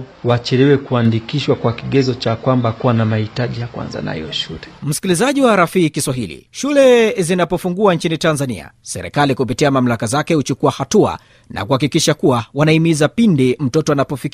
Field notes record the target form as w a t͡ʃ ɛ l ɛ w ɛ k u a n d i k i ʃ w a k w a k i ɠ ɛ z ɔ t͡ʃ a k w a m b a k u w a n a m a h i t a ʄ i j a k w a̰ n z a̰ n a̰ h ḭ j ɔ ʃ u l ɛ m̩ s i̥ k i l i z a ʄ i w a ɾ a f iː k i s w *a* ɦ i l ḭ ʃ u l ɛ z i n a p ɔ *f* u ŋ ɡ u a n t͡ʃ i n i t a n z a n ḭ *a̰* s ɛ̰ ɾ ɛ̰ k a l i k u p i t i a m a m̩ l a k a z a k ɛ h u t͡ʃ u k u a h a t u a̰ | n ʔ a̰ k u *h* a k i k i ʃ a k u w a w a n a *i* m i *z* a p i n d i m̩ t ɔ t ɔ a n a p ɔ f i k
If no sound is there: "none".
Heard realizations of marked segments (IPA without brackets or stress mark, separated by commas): a, f, a̰, h, i, z